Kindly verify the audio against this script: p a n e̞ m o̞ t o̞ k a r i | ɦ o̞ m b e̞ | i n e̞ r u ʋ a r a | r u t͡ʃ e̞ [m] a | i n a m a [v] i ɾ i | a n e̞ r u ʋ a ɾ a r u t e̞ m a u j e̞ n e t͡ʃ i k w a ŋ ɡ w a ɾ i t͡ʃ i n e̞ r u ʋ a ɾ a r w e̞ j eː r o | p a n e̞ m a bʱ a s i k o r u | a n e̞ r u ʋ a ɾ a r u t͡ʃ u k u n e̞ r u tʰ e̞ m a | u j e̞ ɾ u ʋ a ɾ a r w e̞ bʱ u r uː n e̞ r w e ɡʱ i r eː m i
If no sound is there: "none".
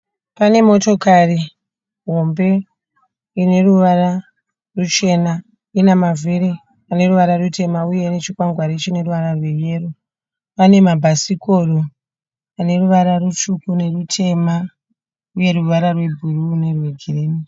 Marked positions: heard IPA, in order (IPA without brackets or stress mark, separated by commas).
n, v